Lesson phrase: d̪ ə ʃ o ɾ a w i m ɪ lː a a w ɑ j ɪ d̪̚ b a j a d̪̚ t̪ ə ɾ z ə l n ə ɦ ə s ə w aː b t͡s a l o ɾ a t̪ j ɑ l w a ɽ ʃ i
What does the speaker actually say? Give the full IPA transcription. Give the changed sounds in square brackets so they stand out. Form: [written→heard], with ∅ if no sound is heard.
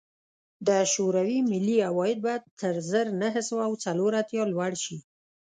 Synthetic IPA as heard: d̪ ə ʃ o ɾ a w i m ɪ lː [a→i] a w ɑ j ɪ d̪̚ b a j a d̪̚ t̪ ə ɾ z ə [l→ɾ] n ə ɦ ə s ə w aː [b→w] t͡s a l o ɾ a t̪ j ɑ l w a ɽ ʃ i